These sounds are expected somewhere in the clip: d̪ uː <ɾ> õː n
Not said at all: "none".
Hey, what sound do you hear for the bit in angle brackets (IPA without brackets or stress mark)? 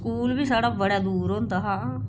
ɾ